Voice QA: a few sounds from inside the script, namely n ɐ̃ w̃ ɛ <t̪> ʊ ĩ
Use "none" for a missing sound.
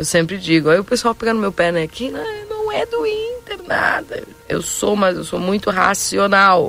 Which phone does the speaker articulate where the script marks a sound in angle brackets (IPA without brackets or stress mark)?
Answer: d̪